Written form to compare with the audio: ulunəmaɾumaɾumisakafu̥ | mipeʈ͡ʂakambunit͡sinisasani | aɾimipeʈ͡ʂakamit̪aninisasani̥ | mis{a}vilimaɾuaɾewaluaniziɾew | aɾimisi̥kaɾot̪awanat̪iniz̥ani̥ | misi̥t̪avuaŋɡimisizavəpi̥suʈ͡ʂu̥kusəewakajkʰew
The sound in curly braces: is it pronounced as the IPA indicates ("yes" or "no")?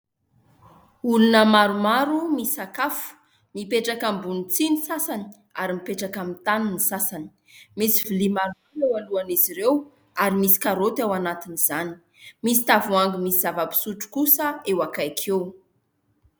no